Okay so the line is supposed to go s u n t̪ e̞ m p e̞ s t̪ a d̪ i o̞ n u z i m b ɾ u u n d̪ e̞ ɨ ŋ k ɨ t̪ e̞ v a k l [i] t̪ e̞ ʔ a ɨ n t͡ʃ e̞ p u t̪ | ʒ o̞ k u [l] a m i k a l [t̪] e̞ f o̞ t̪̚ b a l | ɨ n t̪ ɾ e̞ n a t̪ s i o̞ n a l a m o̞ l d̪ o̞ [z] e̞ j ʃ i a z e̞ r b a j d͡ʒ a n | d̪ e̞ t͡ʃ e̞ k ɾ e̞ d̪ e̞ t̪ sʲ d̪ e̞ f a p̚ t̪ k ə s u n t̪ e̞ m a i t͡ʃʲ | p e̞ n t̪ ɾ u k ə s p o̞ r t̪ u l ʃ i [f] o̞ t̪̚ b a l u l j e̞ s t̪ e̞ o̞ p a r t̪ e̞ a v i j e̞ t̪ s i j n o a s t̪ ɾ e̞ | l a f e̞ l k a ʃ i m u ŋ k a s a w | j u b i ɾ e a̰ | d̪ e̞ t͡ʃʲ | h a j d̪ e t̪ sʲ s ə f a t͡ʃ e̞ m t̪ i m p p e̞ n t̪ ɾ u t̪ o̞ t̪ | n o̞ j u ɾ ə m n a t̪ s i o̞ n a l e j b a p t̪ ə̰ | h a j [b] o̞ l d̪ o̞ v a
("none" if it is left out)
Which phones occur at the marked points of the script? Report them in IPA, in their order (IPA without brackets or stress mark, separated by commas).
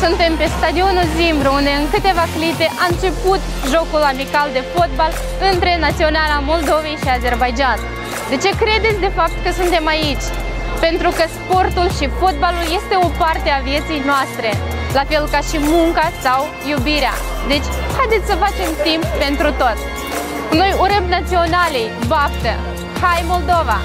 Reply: i, l, d̪, v, f, m